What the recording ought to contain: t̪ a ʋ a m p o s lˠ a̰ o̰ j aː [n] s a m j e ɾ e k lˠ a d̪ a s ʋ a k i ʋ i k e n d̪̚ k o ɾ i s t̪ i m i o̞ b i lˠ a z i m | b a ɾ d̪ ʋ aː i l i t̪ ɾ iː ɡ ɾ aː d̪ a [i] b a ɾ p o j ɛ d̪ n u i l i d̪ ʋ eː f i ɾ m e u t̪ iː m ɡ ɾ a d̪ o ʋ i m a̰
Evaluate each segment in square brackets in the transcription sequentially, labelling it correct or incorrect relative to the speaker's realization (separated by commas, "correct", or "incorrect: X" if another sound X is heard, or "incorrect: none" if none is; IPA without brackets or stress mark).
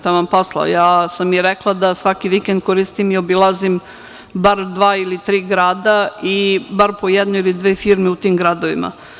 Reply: incorrect: none, correct